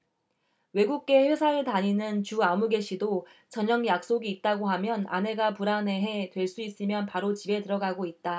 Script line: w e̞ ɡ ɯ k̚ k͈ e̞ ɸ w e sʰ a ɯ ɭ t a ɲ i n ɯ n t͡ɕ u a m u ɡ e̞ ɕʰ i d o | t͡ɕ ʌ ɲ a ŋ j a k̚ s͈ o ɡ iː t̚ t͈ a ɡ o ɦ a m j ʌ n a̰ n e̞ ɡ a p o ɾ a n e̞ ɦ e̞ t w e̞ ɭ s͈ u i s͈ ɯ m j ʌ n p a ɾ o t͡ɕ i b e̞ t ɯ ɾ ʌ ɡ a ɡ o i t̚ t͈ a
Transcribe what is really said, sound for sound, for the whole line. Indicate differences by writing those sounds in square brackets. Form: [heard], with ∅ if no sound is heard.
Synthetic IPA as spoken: w e̞ ɡ [u] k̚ k͈ e̞ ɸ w e sʰ a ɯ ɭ t a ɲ i n ɯ n t͡ɕ u a m u ɡ e̞ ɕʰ i d o | t͡ɕ ʌ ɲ [ʌ] ŋ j a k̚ s͈ o ɡ iː t̚ t͈ a ɡ o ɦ a m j ʌ n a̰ n e̞ ɡ a p [u] ɾ a n e̞ ɦ e̞ t w e̞ ɭ s͈ u i s͈ ɯ m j ʌ n p a ɾ o t͡ɕ i b e̞ t ɯ ɾ ʌ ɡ a ɡ o i t̚ t͈ a